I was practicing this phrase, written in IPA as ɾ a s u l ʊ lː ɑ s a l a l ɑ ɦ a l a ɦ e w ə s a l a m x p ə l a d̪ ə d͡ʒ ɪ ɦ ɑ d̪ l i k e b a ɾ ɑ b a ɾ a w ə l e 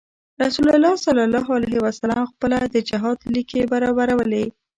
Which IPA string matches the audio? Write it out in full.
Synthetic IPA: ɾ a s u l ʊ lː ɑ s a l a l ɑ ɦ a l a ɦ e w a s a l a m x p ə l a d̪ ə d͡ʒ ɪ ɦ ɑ d̪ l i k e b a ɾ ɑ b a ɾ a w ə l e